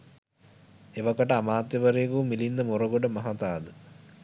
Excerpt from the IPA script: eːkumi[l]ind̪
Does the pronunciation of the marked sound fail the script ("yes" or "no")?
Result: no